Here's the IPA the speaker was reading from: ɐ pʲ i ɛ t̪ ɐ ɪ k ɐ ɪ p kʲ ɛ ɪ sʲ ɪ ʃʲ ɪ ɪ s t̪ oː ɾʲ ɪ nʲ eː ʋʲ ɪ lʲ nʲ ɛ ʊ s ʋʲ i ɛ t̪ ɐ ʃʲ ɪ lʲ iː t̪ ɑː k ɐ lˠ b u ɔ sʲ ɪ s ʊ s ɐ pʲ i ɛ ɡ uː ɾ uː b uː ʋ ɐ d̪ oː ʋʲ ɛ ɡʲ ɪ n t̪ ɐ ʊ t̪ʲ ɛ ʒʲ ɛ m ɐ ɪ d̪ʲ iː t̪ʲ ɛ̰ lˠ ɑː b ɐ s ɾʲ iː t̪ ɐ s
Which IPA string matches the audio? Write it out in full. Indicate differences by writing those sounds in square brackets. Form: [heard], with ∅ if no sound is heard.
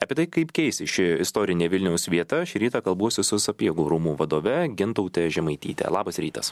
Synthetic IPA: ɐ pʲ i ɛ t̪ ɐ ɪ k ɐ ɪ p kʲ ɛ ɪ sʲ ɪ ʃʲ ɪ ɪ s t̪ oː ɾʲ ɪ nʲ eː ʋʲ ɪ lʲ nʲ ɛ ʊ s ʋʲ i ɛ t̪ ɐ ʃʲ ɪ [ɾʲ] iː t̪ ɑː k ɐ lˠ b u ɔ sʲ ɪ s ʊ s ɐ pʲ i ɛ ɡ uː ɾ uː [m] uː ʋ ɐ d̪ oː ʋʲ ɛ ɡʲ ɪ n t̪ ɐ ʊ t̪ʲ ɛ ʒʲ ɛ m ɐ ɪ [t̪ʲ] iː t̪ʲ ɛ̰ lˠ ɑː b ɐ s ɾʲ iː t̪ ɐ s